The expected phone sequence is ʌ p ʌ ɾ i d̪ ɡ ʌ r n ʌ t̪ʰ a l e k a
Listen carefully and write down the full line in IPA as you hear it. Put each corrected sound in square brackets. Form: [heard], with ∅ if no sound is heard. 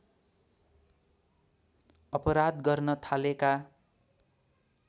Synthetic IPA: ʌ p ʌ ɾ [a] d̪ ɡ ʌ r n ʌ t̪ʰ a l e k a